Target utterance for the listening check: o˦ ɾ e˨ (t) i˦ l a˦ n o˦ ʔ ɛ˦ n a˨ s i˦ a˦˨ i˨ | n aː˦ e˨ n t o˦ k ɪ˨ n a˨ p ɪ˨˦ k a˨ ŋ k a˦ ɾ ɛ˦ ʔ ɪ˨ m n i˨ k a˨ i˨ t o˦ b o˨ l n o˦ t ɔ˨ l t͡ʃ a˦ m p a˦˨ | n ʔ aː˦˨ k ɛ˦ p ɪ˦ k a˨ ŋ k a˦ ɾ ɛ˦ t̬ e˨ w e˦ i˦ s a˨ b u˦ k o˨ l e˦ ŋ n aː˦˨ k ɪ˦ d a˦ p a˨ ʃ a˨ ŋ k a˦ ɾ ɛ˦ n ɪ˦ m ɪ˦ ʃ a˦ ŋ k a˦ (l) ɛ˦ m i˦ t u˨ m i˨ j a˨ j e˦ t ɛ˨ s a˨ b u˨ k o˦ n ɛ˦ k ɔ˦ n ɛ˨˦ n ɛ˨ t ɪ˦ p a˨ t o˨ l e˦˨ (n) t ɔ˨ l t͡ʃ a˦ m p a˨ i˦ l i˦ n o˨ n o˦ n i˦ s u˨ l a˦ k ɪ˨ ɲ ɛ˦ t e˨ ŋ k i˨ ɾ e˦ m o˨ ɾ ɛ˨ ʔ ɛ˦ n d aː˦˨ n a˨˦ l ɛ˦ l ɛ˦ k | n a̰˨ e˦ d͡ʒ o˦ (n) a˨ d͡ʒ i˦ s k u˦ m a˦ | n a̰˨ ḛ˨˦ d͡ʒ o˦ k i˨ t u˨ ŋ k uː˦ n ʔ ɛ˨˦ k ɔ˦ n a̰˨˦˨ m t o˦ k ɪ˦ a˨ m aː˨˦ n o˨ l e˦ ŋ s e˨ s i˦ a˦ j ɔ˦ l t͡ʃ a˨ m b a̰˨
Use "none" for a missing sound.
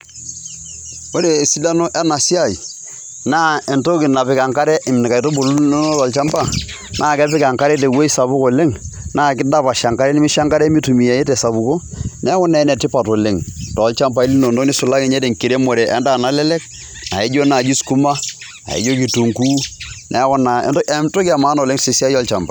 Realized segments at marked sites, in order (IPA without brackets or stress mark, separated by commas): s, ɾ, ŋ, n